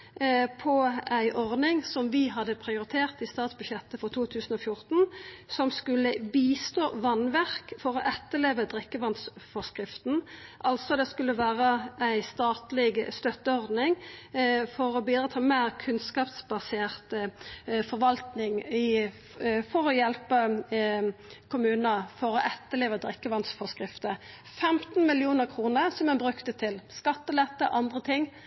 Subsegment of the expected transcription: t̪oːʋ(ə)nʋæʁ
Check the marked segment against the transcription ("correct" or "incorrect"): incorrect